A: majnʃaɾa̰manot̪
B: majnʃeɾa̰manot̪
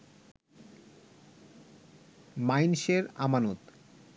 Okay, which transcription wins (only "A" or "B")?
B